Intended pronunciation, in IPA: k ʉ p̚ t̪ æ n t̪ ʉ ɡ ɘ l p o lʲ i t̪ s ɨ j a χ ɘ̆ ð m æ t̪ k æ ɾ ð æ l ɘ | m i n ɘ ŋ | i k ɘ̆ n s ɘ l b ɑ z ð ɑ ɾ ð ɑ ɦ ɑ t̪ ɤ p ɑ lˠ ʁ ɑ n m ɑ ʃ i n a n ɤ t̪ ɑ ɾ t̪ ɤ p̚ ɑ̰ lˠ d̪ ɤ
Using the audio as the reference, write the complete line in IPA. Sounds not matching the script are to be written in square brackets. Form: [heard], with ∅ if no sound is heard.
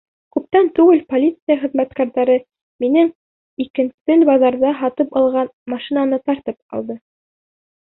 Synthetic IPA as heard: k ʉ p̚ t̪ æ n t̪ ʉ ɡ ɘ l p o lʲ i t̪ s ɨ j a χ ɘ̆ ð m æ t̪ k æ ɾ ð æ [ɾ] ɘ | m i n ɘ ŋ | i k ɘ̆ n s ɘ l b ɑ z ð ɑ ɾ ð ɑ ɦ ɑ t̪ ɤ p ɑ lˠ ʁ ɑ n m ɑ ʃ i n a n ɤ t̪ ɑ ɾ t̪ ɤ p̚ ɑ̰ lˠ d̪ ɤ